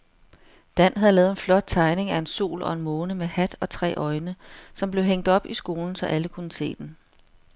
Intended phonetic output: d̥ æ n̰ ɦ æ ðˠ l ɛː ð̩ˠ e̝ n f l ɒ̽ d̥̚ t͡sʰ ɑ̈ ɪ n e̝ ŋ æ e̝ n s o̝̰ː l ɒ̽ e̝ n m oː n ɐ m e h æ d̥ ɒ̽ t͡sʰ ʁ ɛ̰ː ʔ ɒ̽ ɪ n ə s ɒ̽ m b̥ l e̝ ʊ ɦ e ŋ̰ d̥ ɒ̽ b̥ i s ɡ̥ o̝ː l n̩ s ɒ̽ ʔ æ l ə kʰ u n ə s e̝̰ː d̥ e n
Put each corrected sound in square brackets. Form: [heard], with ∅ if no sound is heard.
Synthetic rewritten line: d̥ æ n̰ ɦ æ ðˠ l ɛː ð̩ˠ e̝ n f l ɒ̽ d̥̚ t͡sʰ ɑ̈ ɪ n e̝ ŋ æ e̝ n s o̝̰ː l ɒ̽ e̝ n m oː n [ə] m e h æ d̥ ɒ̽ t͡sʰ ʁ ɛ̰ː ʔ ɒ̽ ɪ n ə s ɒ̽ m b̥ l e̝ ʊ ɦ e ŋ̰ d̥ ɒ̽ b̥ i s ɡ̥ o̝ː l n̩ s ɒ̽ ʔ æ l ə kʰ u n ə s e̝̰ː d̥ e n